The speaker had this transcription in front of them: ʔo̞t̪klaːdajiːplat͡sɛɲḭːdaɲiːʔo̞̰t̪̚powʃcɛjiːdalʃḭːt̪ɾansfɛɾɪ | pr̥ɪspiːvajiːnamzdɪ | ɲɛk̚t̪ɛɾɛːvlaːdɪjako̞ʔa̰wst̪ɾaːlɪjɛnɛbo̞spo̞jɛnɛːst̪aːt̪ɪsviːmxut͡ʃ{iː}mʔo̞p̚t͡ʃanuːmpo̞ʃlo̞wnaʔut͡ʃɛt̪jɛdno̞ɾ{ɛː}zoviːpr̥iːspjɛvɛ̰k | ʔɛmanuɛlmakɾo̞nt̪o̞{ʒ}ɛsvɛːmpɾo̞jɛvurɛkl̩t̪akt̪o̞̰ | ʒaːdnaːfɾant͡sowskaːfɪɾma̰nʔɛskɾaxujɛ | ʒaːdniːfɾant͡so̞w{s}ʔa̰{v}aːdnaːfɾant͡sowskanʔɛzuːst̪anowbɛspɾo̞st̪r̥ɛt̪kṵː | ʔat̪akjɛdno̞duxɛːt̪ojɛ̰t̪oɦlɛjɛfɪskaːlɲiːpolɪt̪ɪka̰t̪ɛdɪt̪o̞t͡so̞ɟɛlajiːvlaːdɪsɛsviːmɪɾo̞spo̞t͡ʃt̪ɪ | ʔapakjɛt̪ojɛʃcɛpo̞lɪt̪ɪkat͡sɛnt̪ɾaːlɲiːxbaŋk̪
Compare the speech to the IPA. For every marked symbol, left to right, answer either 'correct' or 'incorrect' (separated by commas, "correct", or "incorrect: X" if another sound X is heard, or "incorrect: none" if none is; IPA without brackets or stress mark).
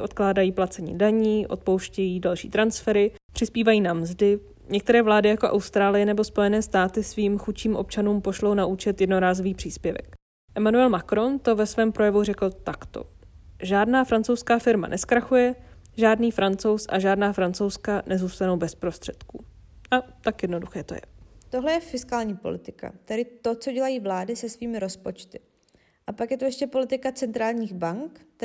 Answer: correct, incorrect: aː, incorrect: v, correct, incorrect: ʒ